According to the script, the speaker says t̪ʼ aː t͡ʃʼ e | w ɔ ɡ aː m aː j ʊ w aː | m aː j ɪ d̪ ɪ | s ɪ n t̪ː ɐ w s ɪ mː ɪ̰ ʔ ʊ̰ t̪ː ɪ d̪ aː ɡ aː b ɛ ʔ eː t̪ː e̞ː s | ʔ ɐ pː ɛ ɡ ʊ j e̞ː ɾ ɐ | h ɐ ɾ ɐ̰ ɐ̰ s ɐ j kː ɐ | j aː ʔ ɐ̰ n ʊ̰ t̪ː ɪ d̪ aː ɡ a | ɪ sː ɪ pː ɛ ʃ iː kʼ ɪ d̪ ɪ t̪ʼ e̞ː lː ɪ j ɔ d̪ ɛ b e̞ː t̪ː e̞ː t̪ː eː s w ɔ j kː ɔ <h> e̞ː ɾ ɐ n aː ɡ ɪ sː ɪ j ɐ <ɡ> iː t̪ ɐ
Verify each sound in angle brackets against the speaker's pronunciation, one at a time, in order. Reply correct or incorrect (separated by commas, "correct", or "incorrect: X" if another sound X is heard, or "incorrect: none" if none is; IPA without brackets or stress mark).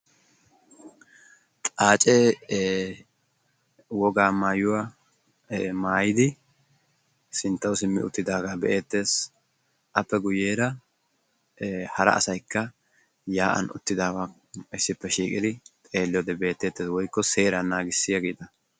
incorrect: s, correct